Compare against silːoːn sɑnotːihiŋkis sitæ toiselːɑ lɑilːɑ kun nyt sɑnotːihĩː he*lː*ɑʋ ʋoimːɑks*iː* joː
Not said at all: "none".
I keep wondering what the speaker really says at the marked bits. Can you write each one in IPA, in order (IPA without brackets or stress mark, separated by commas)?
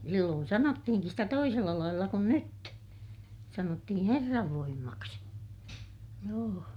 rː, i